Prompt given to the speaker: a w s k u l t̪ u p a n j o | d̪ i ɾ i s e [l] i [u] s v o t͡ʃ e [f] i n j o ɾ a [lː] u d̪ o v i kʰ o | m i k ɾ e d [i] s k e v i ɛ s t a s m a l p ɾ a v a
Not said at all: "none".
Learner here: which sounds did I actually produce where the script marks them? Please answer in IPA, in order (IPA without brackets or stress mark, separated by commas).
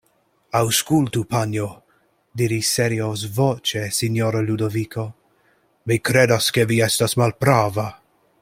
ɾ, o, s, l, a